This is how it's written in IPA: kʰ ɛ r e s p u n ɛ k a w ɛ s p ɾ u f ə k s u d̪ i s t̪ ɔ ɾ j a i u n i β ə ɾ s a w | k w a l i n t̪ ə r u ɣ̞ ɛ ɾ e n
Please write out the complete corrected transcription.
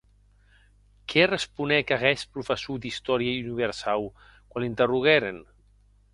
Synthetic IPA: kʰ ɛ r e s p u n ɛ k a ɣ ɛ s p ɾ u f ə s u d̪ i s t̪ ɔ ɾ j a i u n i β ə ɾ s a w | k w a l i n t̪ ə r u ɣ̞ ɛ ɾ e n